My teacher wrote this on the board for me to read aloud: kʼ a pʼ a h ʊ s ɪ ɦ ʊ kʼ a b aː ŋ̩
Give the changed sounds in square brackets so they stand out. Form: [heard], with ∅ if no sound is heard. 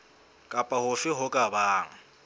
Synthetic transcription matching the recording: kʼ a pʼ a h ʊ [f] ɪ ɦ ʊ kʼ a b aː ŋ̩